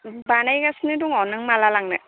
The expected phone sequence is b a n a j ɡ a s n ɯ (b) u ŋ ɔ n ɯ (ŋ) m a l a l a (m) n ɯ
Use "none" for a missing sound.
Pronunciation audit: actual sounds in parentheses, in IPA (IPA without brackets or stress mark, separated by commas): d, ŋ, ŋ